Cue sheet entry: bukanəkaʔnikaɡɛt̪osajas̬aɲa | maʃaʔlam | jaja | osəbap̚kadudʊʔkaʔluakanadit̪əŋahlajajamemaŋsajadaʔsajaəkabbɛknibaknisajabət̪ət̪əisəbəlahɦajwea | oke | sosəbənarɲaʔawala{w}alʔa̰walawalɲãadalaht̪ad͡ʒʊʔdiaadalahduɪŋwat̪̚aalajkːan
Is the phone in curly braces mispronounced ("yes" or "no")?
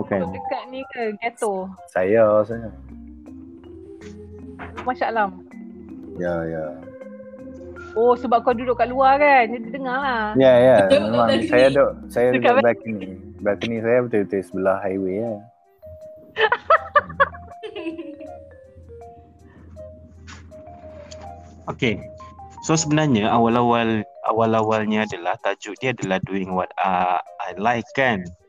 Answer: no